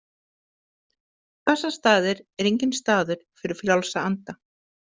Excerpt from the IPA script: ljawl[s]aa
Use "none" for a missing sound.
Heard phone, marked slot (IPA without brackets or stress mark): s